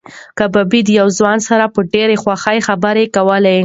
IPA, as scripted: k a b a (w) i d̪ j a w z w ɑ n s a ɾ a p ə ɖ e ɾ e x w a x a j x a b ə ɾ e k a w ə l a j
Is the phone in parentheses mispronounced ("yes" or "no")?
yes